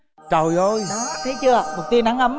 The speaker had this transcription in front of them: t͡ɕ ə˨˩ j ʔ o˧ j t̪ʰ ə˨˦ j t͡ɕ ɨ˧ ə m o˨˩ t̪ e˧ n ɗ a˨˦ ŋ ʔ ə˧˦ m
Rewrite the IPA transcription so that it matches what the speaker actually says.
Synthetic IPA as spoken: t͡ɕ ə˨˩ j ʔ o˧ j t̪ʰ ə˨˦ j t͡ɕ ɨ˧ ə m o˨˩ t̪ i˧ n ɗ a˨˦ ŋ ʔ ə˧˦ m